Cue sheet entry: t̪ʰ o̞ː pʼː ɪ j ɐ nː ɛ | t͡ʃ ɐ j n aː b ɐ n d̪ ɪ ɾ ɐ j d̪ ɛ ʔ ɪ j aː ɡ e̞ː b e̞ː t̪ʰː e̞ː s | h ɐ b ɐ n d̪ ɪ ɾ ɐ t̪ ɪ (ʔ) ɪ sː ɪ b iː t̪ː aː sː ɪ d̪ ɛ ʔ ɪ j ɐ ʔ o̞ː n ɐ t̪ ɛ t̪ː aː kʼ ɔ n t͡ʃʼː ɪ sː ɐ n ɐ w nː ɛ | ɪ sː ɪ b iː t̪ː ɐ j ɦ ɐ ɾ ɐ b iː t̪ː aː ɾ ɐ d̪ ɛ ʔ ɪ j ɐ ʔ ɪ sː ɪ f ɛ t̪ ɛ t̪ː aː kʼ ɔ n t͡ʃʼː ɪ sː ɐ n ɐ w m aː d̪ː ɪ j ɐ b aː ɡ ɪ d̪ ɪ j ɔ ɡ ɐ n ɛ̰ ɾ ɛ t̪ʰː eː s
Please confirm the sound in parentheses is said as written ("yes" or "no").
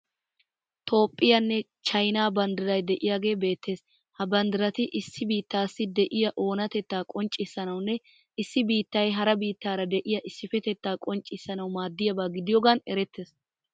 yes